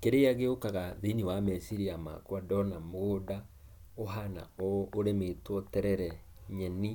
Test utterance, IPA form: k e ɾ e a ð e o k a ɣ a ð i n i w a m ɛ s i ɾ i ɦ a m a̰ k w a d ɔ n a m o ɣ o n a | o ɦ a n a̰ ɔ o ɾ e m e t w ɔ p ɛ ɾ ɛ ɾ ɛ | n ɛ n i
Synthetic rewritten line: k e ɾ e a ɣ e o k a ɣ a ð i n i w a m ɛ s i ɾ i a m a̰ k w a d ɔ n a m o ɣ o d a | o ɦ a n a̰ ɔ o ɾ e m e t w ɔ t ɛ ɾ ɛ ɾ ɛ | ɲ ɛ n i

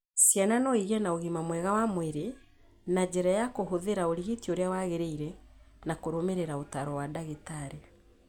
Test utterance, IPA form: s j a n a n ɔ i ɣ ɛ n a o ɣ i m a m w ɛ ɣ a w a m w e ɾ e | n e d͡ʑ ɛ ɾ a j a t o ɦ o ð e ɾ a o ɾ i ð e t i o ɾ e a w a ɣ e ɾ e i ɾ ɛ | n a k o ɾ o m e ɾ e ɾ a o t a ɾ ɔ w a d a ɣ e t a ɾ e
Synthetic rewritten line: s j a n a n ɔ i ɣ ɛ n a o ɣ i m a m w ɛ ɣ a w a m w e ɾ e | n a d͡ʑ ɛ ɾ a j a k o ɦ o ð e ɾ a o ɾ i ɣ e t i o ɾ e a w a ɣ e ɾ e i ɾ ɛ | n a k o ɾ o m e ɾ e ɾ a o t a ɾ ɔ w a d a ɣ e t a ɾ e

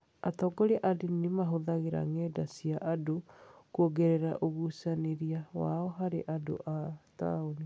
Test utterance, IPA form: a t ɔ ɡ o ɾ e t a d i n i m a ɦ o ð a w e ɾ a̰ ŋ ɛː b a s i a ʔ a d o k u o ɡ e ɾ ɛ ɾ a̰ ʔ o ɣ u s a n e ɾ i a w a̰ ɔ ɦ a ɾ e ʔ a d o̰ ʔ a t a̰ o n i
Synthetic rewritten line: a t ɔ ɡ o ɾ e ʔ a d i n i m a ɦ o ð a ɣ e ɾ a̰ ŋ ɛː d a s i a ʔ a d o k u o ɡ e ɾ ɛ ɾ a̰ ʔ o ɣ u s a n e ɾ i a w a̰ ɔ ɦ a ɾ e ʔ a d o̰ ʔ a t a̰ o n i

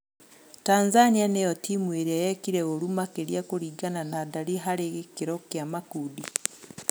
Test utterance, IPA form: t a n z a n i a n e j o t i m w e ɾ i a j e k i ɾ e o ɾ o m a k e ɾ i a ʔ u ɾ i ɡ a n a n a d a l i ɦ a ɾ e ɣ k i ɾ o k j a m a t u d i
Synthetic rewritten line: t a n z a n i a n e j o t i m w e ɾ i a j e k i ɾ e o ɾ u m a k e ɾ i a k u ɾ i ɡ a n a n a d a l i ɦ a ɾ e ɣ k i ɾ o k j a m a k u d i

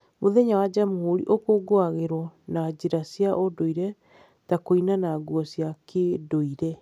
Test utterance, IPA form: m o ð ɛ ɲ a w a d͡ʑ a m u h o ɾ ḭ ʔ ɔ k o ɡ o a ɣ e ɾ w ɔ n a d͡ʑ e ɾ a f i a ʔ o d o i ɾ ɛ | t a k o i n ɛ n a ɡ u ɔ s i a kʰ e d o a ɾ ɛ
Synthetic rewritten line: m o ð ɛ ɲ a w a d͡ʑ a m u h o ɾ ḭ ʔ o k o ɡ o a ɣ e ɾ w ɔ n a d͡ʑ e ɾ a s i a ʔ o d o i ɾ ɛ | t a k o i n a n a ɡ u ɔ s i a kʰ e d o i ɾ ɛ

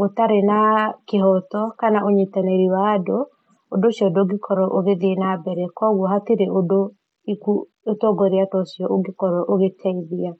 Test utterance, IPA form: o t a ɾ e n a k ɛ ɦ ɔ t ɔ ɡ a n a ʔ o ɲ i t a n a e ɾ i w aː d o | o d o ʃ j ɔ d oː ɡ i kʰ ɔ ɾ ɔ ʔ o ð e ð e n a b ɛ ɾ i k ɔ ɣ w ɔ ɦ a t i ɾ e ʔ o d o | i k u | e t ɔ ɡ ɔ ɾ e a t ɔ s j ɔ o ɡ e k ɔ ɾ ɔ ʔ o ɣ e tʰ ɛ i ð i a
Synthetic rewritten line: o t a ɾ e n a k e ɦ ɔ t ɔ k a n a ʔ o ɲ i t a n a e ɾ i w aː d o | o d o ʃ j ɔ d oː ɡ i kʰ ɔ ɾ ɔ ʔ o ɣ e ð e n a b ɛ ɾ ɛ k ɔ ɣ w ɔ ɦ a t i ɾ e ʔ o d o | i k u | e t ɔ ɡ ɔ ɾ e a t ɔ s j ɔ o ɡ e k ɔ ɾ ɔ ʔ o ɣ e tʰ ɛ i ð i a

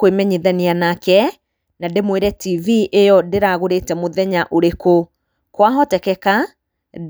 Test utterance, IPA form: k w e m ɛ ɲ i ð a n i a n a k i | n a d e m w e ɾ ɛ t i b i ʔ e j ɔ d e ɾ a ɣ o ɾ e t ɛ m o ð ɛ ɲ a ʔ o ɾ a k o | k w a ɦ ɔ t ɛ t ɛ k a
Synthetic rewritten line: k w e m ɛ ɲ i ð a n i a n a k ɛ | n a d e m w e ɾ ɛ t i v i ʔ e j ɔ d e ɾ a ɣ o ɾ e t ɛ m o ð ɛ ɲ a ʔ o ɾ e k o | k w a ɦ ɔ t ɛ k ɛ k a

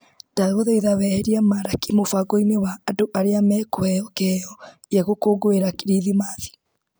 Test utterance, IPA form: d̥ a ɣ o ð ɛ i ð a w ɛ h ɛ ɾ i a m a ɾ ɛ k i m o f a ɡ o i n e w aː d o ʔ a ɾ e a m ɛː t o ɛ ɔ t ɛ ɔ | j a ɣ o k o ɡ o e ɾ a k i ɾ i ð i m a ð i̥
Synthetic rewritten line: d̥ a ɣ o ð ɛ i ð a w ɛ h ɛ ɾ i a m a ɾ a k i m o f a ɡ o i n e w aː d o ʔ a ɾ e a m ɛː k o ɛ ɔ k ɛ ɔ | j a ɣ o k o ɡ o e ɾ a k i ɾ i ð i m a ð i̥

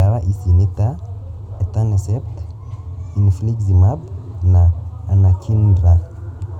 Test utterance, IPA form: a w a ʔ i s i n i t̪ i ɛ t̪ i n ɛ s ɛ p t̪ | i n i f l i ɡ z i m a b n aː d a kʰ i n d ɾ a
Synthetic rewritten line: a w a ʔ i s i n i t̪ a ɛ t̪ a n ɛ s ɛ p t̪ | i n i f l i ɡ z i m a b n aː n a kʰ i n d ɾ a

